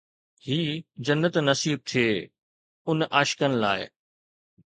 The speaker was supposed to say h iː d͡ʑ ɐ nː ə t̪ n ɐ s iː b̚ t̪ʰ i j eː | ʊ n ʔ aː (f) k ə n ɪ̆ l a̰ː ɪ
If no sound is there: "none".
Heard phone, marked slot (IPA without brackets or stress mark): ʃ